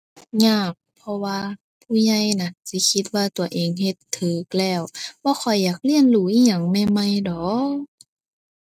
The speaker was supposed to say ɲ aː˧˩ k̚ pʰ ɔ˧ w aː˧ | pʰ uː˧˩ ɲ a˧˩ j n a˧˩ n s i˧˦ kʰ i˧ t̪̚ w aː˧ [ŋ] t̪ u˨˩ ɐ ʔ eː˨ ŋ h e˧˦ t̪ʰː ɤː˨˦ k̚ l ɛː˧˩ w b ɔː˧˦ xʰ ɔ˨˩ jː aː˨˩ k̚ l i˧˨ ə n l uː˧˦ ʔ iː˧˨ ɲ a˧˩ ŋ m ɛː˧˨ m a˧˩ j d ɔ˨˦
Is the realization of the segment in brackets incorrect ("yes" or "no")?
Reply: yes